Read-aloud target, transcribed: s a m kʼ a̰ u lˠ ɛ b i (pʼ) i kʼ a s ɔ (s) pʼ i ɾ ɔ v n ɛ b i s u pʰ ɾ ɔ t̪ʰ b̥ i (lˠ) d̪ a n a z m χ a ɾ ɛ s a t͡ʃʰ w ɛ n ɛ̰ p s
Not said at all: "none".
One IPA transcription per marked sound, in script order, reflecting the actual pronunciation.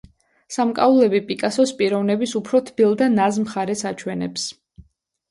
pʼ, s, lˠ

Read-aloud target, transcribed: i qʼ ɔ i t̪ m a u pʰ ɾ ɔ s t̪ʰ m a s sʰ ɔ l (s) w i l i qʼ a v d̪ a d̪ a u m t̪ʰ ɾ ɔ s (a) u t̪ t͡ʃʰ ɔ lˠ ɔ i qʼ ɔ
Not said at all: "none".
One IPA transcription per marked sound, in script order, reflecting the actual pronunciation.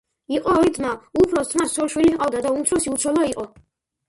ʃ, i

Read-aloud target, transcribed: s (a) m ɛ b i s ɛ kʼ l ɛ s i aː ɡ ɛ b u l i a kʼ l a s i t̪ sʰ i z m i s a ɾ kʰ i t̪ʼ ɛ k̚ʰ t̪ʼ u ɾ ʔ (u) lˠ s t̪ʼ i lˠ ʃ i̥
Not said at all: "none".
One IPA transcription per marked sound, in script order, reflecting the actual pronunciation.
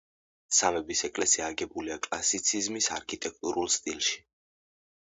a, u

